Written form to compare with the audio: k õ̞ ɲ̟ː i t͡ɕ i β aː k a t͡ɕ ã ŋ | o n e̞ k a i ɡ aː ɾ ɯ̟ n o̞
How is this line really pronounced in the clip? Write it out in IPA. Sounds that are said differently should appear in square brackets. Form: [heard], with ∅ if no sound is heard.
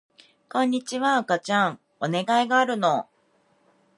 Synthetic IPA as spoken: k õ̞ ɲ̟ː i t͡ɕ i β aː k a t͡ɕ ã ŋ | o n e̞ [ɡ] a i ɡ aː ɾ ɯ̟ n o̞